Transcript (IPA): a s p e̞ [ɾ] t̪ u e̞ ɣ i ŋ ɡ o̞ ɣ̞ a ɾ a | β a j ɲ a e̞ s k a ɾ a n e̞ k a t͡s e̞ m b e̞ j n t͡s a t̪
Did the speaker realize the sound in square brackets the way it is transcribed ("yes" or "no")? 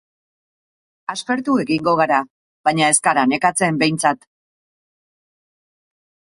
yes